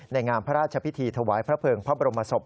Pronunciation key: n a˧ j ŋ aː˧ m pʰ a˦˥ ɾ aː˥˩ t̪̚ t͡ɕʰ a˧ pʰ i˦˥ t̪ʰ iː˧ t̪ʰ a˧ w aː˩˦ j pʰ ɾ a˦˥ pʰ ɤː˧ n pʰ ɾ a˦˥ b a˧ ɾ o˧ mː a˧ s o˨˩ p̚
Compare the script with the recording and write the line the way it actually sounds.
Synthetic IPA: n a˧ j ŋ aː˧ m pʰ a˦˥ ɾ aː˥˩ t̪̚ t͡ɕʰ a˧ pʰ i˦˥ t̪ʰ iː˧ t̪ʰ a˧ w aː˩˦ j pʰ ɾ a˦˥ pʰ ɤː˧ ŋ pʰ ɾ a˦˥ b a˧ ɾ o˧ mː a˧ s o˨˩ p̚